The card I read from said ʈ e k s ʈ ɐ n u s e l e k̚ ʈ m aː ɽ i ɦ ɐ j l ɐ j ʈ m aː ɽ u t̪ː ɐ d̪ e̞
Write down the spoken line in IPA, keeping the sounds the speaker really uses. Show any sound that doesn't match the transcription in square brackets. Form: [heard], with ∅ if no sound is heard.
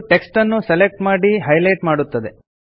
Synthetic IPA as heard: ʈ e k s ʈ ɐ [nː] u s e l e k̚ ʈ m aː ɽ i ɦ ɐ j l ɐ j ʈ m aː ɽ u t̪ː ɐ d̪ e̞